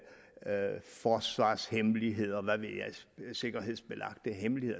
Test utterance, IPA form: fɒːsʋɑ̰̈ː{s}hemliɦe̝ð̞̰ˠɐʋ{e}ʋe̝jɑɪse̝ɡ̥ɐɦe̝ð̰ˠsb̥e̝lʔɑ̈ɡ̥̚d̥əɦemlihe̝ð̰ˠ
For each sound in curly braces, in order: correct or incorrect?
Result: correct, incorrect: æ

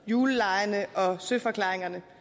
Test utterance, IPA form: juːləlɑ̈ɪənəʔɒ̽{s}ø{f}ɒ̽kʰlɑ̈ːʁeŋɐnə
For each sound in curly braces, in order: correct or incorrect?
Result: correct, correct

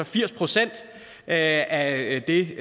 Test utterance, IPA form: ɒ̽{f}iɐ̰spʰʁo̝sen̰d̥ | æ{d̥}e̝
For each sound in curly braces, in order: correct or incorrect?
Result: correct, correct

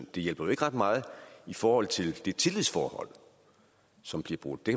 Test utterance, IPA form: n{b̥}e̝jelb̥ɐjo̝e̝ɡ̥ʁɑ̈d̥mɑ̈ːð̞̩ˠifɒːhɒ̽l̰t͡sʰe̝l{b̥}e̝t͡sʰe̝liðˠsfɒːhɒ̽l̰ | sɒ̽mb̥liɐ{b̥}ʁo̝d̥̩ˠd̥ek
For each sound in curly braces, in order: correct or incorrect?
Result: incorrect: d̥, incorrect: d̥, correct

